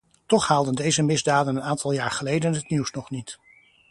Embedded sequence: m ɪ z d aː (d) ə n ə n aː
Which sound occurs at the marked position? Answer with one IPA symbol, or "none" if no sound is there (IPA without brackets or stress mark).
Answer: d